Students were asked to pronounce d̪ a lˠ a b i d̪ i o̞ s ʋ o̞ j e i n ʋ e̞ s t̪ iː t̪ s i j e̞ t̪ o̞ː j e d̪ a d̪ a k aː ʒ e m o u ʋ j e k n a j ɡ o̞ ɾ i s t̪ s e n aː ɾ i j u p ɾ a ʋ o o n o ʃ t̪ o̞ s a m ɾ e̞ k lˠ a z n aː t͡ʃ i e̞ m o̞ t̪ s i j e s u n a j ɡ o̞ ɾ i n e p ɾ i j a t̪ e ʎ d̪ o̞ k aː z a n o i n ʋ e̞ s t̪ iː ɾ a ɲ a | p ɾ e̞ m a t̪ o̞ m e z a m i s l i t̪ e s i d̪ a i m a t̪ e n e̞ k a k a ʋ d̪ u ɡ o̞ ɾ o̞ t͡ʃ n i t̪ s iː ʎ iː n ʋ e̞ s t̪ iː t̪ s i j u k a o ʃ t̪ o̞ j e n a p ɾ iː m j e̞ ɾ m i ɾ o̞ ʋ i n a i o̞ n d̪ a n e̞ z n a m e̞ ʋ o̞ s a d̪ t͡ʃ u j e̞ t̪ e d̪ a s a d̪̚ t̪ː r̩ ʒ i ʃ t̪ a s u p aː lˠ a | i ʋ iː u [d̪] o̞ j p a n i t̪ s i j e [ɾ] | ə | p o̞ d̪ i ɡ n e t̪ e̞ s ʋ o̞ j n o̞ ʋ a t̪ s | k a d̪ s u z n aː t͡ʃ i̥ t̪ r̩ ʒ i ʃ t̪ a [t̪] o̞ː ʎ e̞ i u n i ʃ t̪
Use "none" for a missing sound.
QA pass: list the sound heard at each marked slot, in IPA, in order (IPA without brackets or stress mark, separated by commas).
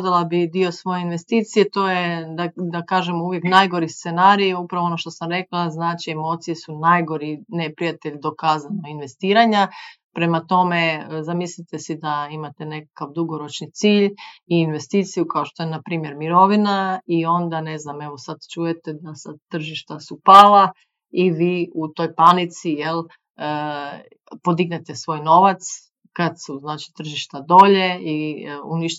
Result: t̪, l, d̪